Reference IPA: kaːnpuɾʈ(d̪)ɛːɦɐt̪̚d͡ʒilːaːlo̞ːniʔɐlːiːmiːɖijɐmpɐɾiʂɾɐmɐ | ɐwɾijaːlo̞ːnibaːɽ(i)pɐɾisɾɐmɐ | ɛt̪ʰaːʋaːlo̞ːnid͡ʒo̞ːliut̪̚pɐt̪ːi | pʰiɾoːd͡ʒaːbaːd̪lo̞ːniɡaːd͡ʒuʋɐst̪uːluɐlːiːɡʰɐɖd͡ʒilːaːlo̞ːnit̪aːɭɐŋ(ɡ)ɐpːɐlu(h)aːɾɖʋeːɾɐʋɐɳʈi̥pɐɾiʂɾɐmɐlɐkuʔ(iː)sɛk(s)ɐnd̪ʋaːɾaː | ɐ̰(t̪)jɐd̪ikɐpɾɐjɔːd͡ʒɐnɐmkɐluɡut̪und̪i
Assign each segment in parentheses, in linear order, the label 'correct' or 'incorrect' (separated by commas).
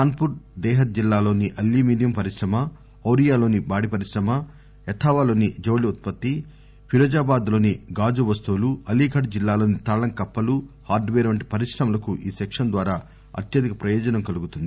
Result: correct, correct, incorrect, correct, correct, incorrect, correct